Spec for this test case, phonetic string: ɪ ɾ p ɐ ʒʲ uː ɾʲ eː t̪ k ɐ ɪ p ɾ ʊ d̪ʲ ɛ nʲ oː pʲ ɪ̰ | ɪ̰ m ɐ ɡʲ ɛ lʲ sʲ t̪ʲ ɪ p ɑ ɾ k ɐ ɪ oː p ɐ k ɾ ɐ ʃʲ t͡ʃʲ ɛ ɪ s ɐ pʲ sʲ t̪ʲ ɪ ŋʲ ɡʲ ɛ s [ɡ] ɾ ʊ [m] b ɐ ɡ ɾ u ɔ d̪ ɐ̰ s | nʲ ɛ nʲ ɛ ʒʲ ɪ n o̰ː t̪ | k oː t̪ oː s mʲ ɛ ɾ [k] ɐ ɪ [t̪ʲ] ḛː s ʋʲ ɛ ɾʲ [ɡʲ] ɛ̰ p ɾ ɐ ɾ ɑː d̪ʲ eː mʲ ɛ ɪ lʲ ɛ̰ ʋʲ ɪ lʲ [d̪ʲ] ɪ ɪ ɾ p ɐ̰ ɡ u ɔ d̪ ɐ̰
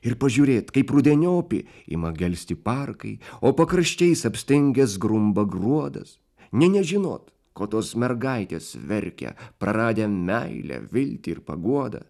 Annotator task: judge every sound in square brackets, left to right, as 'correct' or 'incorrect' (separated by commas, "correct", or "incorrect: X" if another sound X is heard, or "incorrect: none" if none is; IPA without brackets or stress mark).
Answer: correct, correct, incorrect: ɡ, correct, incorrect: kʲ, incorrect: t̪ʲ